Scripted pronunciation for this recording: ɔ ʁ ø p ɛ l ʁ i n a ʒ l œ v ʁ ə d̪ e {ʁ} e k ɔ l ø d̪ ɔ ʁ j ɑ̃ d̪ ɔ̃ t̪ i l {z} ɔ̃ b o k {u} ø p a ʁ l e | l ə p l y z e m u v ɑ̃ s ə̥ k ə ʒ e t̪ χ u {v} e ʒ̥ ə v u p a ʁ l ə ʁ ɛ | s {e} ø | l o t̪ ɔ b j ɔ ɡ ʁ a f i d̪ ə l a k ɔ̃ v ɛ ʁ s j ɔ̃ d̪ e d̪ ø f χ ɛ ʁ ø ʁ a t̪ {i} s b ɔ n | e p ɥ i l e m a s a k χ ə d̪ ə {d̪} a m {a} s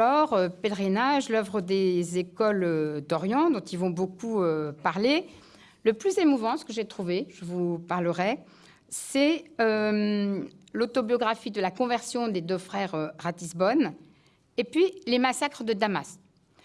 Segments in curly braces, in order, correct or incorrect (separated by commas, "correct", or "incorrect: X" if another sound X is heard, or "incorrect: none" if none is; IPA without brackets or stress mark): incorrect: z, incorrect: v, correct, correct, incorrect: ɛ, correct, correct, correct